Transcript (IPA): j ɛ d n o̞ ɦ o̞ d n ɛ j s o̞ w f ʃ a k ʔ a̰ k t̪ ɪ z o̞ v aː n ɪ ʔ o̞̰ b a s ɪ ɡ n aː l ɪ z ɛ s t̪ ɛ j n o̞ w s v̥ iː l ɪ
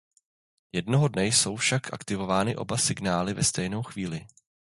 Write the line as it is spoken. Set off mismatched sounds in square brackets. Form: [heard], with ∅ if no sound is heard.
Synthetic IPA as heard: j ɛ d n o̞ ɦ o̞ d n ɛ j s o̞ w f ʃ a k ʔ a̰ k t̪ ɪ [v] o̞ v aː n ɪ ʔ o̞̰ b a s ɪ ɡ n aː l ɪ [v] ɛ s t̪ ɛ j n o̞ w [x] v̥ iː l ɪ